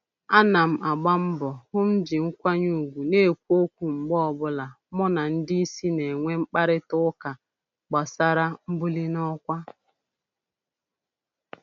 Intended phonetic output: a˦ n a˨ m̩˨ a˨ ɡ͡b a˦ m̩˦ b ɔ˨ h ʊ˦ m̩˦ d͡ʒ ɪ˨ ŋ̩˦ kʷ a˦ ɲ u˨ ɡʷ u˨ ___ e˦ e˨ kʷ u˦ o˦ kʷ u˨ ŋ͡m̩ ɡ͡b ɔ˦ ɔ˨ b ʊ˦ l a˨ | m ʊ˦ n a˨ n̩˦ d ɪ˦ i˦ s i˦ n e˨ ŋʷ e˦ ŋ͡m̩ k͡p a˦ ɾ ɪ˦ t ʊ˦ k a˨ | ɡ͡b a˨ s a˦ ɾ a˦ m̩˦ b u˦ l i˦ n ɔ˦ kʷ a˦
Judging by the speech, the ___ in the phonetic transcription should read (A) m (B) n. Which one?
B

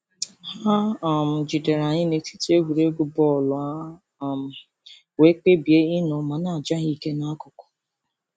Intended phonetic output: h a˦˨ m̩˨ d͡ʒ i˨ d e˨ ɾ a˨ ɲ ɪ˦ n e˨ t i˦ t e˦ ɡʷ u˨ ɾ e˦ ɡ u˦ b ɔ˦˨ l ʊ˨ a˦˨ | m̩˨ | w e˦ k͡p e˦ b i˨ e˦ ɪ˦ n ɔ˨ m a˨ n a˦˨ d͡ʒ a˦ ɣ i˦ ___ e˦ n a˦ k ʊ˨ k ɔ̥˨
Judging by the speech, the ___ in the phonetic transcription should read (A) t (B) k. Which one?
B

